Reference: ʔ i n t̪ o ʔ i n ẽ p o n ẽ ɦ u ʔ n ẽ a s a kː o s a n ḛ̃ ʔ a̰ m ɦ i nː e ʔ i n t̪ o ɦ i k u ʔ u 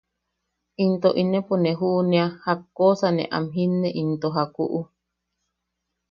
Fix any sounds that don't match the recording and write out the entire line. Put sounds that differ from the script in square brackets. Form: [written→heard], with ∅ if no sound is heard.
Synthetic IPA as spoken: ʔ i n t̪ o ʔ i n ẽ p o n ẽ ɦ u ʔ n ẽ a [s→h] a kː o s a n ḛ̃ ʔ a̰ m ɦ i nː e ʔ i n t̪ o ɦ [i→a] k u ʔ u